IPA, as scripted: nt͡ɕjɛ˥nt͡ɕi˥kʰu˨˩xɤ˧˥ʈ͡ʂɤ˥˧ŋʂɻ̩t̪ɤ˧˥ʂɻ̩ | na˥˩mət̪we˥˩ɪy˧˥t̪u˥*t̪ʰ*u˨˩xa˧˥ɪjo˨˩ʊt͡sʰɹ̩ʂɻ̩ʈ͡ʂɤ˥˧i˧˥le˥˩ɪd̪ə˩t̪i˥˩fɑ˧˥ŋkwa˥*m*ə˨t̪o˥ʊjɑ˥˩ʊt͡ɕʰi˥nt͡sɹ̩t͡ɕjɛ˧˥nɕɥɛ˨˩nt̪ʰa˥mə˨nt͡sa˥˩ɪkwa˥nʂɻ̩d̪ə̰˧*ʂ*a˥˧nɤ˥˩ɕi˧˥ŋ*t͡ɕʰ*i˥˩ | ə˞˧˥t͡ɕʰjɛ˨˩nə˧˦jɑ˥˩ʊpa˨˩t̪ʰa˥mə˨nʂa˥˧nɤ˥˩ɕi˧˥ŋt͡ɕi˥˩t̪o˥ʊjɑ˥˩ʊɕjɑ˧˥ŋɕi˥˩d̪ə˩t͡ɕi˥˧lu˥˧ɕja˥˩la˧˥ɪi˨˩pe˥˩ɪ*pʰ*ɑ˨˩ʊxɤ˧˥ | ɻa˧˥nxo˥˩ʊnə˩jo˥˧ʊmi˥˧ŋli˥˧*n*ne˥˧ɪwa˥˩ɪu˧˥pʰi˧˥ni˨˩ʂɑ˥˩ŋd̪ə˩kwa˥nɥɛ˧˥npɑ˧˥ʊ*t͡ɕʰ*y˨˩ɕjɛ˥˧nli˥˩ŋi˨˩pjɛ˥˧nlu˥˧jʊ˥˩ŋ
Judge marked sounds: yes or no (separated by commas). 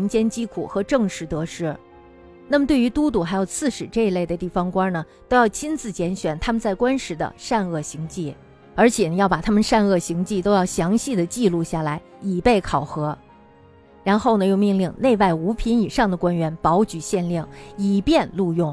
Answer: no, no, yes, no, no, no, no